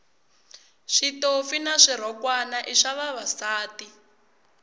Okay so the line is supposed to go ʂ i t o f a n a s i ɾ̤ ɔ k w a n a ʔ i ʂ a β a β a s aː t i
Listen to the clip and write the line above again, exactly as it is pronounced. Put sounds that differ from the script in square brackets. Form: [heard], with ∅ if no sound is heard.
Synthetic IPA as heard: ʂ i t o f [i] n a [ʂ] i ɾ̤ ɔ k w a n a ʔ i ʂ a β a β a s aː t i